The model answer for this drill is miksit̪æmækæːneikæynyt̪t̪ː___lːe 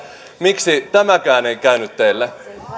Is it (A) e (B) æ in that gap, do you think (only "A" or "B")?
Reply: A